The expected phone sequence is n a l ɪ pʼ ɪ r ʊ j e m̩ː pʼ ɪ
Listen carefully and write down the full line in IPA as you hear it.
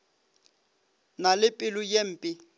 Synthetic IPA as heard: n a l ɪ pʼ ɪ l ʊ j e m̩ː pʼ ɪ